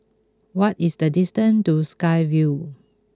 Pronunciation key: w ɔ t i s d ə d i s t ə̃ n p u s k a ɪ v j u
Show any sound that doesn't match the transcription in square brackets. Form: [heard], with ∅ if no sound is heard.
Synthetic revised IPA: w ɔ t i s d ə d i s t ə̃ n [t] u s k a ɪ v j u